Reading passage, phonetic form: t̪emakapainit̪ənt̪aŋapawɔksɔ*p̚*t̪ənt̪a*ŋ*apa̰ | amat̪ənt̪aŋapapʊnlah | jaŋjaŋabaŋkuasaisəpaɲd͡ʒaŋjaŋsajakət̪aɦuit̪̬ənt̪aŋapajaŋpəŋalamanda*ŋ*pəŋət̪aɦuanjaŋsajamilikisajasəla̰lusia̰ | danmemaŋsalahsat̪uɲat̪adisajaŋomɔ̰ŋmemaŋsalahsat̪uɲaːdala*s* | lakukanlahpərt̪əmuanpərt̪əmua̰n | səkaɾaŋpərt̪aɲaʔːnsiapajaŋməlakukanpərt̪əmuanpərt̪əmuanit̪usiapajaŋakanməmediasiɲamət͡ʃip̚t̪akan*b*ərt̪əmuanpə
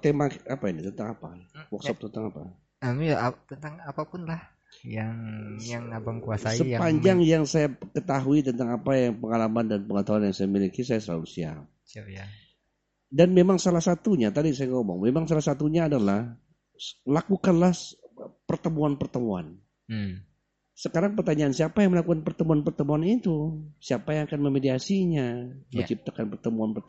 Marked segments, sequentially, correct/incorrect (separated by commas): correct, correct, incorrect, incorrect, incorrect